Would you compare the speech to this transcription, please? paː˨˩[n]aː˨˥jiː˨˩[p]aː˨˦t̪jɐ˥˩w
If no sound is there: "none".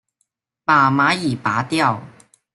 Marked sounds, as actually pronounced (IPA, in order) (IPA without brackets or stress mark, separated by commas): m, p